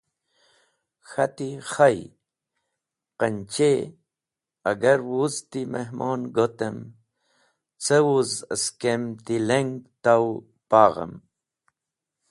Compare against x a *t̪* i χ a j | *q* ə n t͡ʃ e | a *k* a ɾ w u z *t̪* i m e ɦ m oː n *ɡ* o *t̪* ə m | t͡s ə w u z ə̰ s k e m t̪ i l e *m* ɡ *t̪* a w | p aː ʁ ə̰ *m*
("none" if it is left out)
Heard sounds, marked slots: t̪, q, ɡ, t̪, ɡ, t̪, ŋ, t̪, m

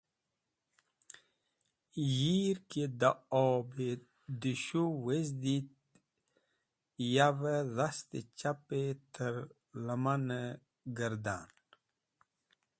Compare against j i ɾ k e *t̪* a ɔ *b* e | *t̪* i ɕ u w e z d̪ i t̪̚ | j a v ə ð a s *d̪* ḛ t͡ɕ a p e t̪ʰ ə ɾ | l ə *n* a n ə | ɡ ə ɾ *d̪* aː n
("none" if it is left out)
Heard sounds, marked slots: d̪, b, d̪, t̪, m, d̪

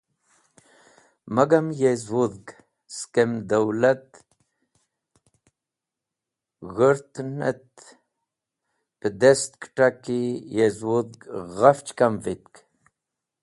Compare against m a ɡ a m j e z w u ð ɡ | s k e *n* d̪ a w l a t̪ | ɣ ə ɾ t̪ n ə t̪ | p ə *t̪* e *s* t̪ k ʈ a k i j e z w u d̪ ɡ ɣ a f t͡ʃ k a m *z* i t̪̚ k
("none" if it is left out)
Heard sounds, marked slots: m, d̪, s, v

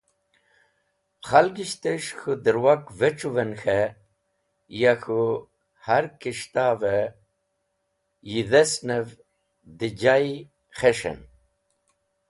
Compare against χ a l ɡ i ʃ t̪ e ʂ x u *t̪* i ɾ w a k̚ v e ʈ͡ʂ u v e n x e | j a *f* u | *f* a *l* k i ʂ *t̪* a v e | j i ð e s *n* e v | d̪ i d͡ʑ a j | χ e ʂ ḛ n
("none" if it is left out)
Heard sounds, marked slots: d̪, x, h, ɾ, t̪, n

